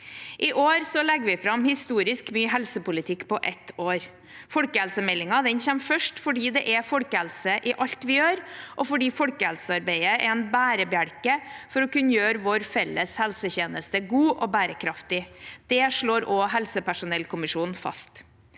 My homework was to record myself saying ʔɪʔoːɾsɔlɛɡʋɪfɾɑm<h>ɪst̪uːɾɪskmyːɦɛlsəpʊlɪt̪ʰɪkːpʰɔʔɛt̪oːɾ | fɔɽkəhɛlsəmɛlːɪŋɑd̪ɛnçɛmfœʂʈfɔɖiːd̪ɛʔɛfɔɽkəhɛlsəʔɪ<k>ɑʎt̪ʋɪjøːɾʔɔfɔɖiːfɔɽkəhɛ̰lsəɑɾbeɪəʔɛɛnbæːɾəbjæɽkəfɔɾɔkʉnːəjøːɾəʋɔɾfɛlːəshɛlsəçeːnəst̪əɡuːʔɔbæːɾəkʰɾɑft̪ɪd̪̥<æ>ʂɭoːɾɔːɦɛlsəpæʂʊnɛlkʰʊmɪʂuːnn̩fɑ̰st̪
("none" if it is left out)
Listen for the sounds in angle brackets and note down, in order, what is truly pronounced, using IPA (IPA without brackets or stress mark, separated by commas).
h, ʔ, ɛ